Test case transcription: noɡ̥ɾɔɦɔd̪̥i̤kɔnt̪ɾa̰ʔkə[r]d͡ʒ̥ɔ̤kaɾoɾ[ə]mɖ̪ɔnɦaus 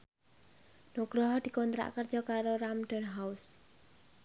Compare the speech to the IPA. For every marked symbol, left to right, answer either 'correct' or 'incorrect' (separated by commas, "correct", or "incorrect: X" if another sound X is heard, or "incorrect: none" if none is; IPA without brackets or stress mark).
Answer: correct, incorrect: a